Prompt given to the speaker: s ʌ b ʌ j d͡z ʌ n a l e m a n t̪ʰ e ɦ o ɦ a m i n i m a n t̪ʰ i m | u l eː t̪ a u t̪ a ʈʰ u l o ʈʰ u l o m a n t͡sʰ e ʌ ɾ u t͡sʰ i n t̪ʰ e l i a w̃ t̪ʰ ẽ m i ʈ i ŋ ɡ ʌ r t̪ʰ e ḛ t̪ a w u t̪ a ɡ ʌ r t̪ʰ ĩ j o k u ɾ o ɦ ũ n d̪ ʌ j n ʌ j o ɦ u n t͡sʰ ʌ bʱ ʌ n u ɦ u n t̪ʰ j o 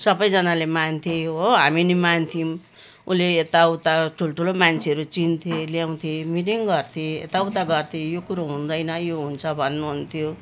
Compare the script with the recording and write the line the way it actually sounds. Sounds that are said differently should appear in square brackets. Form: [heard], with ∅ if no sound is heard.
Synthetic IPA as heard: s ʌ b ʌ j d͡z ʌ n a l e m a n t̪ʰ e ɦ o ɦ a m i n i m a n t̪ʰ i m | u l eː t̪ a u t̪ a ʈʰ u l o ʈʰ u l o m a n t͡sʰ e ʌ ɾ u [t͡s] i n t̪ʰ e l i a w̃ t̪ʰ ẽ m i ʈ i ŋ ɡ ʌ r t̪ʰ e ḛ t̪ a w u t̪ a ɡ ʌ r t̪ʰ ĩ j o k u ɾ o ɦ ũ n d̪ ʌ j n ʌ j o ɦ u n t͡sʰ ʌ bʱ ʌ [nː] u ɦ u n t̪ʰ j o